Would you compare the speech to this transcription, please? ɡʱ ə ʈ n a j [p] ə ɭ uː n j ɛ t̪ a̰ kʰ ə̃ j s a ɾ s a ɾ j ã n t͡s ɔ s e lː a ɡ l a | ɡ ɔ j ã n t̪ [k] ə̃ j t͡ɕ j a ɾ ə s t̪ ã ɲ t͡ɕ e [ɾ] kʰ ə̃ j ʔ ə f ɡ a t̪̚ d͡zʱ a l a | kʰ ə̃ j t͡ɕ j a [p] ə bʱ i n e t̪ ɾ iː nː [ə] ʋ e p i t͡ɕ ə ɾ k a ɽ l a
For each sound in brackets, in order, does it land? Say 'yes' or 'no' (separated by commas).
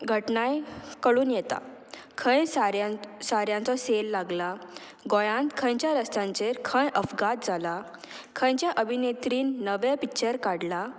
no, no, yes, no, yes